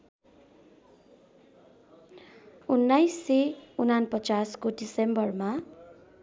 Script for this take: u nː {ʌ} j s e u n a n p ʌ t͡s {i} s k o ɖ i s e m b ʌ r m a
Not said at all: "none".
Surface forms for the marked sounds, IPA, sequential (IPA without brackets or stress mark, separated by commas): a, a